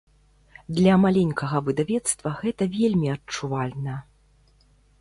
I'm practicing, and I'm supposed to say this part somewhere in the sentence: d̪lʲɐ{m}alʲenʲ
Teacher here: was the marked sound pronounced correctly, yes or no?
yes